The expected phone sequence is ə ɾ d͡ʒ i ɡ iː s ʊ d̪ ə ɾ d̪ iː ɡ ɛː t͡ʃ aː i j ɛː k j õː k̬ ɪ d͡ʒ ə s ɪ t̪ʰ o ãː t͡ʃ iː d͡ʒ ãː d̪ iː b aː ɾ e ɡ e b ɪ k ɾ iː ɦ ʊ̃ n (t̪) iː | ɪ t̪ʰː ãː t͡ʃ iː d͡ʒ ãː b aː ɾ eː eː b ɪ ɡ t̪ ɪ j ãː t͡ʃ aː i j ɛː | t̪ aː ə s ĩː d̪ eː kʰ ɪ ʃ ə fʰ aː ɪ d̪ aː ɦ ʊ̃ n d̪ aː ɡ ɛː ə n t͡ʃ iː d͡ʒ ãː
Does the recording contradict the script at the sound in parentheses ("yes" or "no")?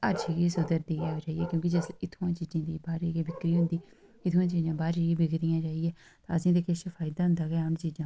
yes